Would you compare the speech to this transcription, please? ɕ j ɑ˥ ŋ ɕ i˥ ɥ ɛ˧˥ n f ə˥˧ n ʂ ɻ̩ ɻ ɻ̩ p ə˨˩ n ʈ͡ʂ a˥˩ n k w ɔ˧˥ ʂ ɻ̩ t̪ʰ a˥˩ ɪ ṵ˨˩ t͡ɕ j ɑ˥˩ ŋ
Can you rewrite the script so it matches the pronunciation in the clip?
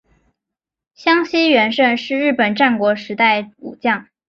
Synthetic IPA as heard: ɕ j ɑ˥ ŋ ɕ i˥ ɥ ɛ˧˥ n ʂ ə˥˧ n ʂ ɻ̩ ɻ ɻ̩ p ə˨˩ n ʈ͡ʂ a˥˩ n k w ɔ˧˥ ʂ ɻ̩ t̪ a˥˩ ɪ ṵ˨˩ t͡ɕ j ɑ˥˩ ŋ